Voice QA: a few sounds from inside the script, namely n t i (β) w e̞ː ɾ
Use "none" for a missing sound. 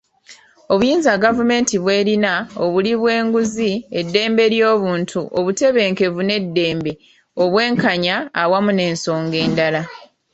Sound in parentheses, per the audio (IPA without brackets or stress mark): β